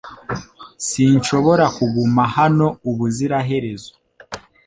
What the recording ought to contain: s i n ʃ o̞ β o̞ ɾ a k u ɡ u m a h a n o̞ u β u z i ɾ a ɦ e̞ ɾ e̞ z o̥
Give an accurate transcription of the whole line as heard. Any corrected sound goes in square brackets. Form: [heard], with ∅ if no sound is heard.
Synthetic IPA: s i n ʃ o̞ β o̞ ɾ a k u ɡ u m a h a n o̞ u β u z i ɾ a ɦ e̞ ɾ e̞ z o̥